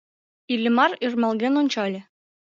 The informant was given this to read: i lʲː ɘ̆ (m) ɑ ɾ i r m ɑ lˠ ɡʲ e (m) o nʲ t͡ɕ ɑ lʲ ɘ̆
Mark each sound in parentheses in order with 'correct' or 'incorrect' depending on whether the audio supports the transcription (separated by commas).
correct, incorrect